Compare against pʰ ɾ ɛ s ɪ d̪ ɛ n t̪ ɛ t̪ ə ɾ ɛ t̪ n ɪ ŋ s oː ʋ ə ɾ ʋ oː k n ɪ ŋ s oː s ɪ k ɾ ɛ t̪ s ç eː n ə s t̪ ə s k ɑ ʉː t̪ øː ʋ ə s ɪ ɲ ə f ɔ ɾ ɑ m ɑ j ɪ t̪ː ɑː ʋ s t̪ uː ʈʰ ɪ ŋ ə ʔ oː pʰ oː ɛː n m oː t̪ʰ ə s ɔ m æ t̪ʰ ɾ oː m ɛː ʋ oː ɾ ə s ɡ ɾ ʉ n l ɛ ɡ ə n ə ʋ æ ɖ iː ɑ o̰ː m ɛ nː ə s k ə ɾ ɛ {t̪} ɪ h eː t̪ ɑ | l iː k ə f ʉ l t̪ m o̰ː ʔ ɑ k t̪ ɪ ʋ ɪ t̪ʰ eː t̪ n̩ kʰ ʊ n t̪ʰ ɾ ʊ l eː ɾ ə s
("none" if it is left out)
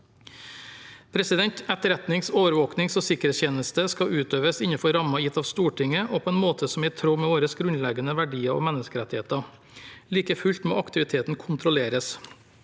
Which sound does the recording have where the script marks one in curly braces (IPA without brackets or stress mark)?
t̪